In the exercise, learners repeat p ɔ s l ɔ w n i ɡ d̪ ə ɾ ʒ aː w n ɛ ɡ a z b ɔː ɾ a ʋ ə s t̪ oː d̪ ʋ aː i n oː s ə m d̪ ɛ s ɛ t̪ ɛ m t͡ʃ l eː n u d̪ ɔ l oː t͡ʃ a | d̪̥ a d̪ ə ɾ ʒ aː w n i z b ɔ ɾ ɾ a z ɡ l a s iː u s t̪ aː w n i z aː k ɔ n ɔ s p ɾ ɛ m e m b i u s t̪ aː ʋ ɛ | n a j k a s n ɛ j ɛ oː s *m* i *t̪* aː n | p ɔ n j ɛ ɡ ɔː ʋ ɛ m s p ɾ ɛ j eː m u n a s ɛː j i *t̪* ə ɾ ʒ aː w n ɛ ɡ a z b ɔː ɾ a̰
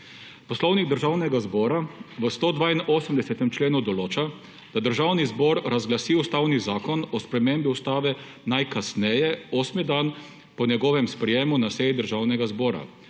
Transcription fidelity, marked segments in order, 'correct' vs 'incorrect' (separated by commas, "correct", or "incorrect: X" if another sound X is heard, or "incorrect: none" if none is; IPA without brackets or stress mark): correct, incorrect: d̪, incorrect: d̪